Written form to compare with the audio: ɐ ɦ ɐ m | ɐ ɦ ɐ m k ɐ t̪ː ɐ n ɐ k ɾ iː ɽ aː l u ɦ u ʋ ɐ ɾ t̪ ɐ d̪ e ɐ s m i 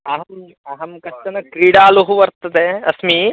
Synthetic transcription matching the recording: ɐ ɦ ɐ m | ɐ ɦ ɐ m k ɐ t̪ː ɐ n ɐ k ɾ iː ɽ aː l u ɦ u ʋ ɐ ɾ t̪ ɐ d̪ e ɐ s m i